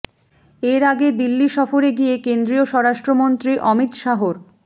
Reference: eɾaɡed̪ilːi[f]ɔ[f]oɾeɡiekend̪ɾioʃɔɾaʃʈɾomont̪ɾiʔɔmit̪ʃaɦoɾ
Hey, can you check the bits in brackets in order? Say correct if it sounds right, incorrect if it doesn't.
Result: incorrect: ʃ, correct

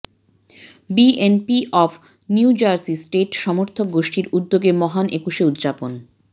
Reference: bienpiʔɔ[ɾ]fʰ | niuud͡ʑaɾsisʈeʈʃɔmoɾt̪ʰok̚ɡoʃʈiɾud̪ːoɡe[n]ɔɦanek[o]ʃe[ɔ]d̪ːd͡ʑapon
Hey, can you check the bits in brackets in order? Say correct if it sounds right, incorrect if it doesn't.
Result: incorrect: none, incorrect: m, incorrect: u, incorrect: u

